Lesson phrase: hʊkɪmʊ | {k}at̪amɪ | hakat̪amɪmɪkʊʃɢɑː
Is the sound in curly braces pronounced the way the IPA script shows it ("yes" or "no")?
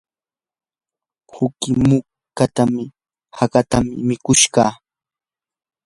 yes